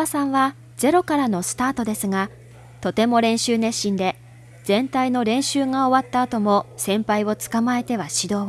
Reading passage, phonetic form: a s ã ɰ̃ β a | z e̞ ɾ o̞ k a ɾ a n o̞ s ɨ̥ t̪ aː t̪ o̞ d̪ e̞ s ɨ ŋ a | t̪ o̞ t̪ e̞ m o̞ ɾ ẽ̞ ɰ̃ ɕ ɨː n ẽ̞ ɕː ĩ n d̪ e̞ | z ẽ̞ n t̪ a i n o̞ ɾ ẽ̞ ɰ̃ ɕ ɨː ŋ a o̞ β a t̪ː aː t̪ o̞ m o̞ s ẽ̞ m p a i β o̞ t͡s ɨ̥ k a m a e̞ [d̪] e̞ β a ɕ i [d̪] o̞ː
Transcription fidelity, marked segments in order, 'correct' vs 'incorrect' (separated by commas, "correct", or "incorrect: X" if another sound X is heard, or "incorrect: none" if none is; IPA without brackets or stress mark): incorrect: t̪, correct